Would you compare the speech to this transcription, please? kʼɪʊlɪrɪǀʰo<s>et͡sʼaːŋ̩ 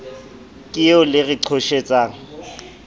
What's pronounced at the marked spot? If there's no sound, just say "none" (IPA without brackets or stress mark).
ʃ